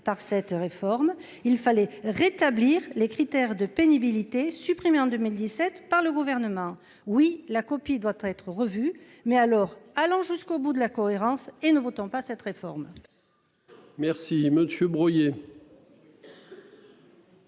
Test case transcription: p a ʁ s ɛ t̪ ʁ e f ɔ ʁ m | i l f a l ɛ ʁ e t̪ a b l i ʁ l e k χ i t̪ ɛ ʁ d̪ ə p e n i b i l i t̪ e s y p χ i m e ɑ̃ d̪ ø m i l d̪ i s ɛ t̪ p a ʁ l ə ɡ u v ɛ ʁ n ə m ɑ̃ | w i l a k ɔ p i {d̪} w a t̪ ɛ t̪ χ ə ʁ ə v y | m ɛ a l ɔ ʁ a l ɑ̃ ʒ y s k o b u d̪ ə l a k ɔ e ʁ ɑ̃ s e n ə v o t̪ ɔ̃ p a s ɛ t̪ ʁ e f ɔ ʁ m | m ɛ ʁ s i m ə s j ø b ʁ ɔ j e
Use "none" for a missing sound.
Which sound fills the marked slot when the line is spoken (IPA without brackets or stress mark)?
d̪